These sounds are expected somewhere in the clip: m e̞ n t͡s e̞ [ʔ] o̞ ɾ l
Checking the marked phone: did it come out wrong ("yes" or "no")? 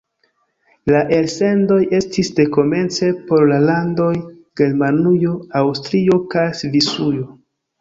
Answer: yes